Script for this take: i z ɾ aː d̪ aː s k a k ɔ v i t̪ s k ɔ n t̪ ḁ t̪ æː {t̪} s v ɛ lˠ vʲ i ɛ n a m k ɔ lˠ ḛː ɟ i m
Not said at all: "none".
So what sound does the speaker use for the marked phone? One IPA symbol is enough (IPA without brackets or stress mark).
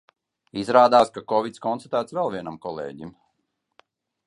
t̪